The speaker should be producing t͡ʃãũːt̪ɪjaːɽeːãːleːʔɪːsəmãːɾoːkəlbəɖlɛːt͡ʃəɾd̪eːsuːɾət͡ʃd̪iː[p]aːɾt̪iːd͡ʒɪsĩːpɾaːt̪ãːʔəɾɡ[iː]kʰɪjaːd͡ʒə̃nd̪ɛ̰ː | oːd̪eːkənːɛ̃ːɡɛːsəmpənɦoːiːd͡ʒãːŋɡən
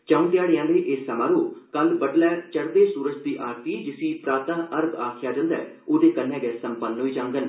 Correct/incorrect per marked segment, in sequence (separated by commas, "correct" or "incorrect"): incorrect, incorrect